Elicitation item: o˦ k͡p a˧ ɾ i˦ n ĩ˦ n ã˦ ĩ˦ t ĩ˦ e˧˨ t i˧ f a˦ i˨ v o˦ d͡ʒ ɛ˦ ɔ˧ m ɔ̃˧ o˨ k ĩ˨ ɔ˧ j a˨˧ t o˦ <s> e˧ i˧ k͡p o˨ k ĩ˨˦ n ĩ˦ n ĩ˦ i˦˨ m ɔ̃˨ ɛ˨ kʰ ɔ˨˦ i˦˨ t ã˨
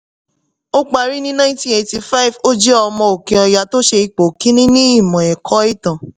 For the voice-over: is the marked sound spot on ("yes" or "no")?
no